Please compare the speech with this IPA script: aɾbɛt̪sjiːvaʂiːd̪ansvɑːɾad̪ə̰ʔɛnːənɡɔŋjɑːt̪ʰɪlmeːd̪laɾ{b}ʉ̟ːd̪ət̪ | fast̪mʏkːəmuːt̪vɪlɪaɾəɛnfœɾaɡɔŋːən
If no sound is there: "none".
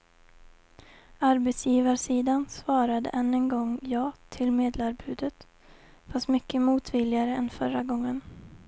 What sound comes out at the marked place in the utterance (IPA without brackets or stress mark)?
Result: b